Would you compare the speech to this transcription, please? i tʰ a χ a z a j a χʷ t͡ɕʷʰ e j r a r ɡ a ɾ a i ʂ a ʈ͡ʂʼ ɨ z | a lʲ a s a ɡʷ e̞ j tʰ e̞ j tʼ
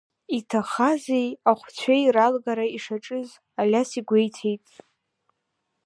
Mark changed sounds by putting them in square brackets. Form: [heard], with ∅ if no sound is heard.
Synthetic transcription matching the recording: i tʰ a χ a z [e] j a χʷ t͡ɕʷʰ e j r a [l] ɡ a ɾ a i ʂ a ʈ͡ʂʼ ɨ z | a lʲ a s [i] ɡʷ e̞ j tʰ e̞ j tʼ